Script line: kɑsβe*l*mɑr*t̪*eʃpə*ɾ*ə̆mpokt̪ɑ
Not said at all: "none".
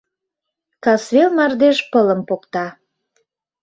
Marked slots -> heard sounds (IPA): l, d̪, l

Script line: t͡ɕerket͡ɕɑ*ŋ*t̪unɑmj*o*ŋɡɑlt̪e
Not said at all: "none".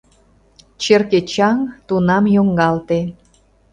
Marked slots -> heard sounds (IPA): ŋ, o

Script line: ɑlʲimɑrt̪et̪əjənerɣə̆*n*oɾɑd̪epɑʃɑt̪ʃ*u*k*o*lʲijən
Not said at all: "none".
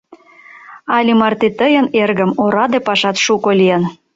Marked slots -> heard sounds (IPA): m, u, o

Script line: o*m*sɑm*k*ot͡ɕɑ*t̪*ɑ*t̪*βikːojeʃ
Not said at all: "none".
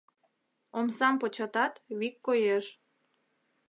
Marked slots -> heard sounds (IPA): m, p, t̪, t̪

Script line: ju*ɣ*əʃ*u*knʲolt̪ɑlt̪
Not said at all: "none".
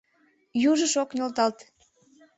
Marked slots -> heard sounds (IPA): ʒ, o

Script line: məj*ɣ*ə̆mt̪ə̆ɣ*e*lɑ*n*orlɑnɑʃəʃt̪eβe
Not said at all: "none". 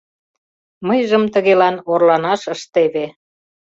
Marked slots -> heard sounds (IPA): ʒ, e, n

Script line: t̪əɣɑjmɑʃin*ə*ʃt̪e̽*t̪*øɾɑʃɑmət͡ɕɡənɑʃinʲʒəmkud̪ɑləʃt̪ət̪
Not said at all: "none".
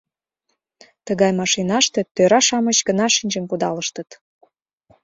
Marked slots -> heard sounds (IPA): ɑ, t̪

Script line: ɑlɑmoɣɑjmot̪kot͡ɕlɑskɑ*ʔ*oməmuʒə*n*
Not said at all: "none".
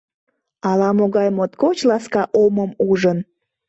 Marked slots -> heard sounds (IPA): ʔ, n

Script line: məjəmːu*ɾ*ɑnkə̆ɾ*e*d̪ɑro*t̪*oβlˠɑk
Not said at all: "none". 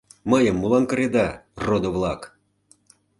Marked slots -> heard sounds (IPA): l, e, d̪

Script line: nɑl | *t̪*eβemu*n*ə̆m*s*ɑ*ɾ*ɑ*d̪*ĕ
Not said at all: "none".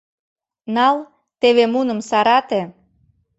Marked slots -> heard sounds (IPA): t̪, n, s, ɾ, t̪

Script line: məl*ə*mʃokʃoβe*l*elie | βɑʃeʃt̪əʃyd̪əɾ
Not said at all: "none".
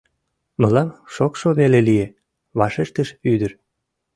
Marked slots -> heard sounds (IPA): ɑ, l

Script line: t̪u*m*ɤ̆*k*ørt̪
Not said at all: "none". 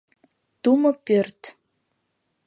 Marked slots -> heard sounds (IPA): m, p

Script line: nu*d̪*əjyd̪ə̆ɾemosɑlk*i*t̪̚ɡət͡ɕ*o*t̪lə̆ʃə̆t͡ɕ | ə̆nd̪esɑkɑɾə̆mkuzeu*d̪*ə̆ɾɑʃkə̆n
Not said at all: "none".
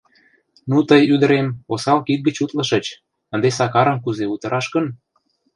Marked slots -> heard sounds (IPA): t̪, i, u, t̪

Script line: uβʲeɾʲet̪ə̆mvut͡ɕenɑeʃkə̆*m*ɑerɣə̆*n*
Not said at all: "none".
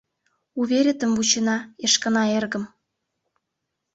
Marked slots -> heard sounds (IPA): n, m

